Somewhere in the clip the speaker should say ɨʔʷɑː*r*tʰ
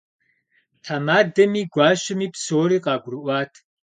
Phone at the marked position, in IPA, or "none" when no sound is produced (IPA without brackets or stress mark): none